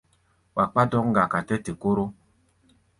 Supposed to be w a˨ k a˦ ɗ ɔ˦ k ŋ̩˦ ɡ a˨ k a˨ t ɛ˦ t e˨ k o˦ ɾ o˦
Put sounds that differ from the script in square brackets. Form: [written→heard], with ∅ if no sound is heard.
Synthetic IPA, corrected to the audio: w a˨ [k→k͡p] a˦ [ɗ→d] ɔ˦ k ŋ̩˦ ɡ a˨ k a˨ t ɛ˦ t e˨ k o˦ ɾ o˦